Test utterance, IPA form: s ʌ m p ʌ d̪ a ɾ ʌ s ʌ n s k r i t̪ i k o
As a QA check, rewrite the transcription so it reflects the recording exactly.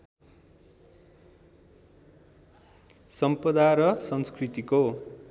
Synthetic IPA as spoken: s ʌ m p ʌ d̪ a ɾ ʌ s ʌ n s k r i t̪ i k o